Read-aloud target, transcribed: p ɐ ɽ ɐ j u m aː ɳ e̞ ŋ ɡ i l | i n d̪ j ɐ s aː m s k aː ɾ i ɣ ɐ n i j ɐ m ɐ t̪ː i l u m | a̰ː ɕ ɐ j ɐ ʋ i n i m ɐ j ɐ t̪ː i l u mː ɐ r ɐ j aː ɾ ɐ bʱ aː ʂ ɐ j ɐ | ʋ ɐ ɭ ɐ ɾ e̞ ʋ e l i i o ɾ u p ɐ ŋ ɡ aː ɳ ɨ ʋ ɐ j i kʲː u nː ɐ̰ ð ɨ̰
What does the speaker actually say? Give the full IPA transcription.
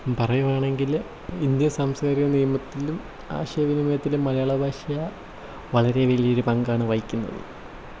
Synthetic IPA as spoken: p ɐ r ɐ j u m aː ɳ e̞ ŋ ɡ i l | i n d̪ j ɐ s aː m s k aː ɾ i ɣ ɐ n i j ɐ m ɐ t̪ː i l u m | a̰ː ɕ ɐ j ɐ ʋ i n i m ɐ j ɐ t̪ː i l u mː ɐ l ɐ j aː ɭ ɐ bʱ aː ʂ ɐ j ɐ | ʋ ɐ ɭ ɐ ɾ e̞ ʋ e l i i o ɾ u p ɐ ŋ ɡ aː ɳ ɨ ʋ ɐ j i kʲː u nː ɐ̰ ð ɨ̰